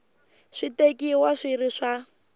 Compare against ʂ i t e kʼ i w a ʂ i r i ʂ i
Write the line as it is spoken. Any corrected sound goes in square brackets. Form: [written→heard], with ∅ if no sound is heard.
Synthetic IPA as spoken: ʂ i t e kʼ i w a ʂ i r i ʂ [i→a]